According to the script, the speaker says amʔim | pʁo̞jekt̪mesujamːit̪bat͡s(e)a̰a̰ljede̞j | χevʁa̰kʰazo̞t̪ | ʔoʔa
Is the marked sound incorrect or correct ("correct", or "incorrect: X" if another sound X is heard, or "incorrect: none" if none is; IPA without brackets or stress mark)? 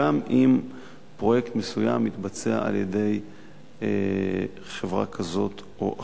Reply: correct